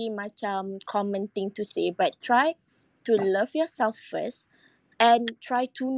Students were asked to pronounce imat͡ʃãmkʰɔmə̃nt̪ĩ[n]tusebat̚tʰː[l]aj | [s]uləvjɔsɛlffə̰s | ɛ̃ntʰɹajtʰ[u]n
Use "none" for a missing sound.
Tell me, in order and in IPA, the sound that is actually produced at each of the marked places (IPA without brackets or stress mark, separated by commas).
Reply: ŋ, ɹ, t, u